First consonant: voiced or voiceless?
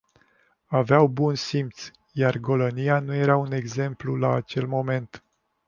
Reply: voiced